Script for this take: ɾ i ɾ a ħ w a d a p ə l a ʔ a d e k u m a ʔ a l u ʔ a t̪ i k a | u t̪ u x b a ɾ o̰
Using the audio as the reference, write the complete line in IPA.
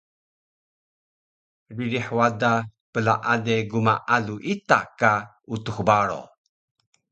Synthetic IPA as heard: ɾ i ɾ i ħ w a d a p ə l a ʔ a d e ɡ u m a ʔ a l u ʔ i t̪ a k a | u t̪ u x b a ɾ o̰